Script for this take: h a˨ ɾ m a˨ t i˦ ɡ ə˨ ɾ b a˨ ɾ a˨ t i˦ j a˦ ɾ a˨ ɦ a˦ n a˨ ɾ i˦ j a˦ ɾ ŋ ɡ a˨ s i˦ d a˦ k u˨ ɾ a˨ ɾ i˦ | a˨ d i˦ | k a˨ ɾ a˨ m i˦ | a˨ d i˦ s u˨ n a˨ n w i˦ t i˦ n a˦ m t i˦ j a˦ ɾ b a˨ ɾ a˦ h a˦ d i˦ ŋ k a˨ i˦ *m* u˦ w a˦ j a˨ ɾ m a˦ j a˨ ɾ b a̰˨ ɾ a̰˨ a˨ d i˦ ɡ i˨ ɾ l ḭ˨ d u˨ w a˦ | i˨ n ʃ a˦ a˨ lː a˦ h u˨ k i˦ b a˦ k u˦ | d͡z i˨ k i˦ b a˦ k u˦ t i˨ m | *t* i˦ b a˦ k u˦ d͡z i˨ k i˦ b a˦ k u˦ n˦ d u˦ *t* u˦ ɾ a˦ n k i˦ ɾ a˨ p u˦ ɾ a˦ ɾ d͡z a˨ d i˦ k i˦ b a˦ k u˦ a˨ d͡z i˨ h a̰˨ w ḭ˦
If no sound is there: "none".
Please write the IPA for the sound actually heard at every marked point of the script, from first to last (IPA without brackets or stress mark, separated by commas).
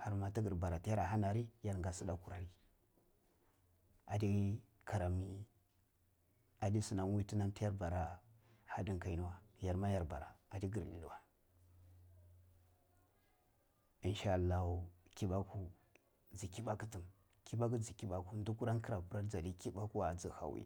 n, k, k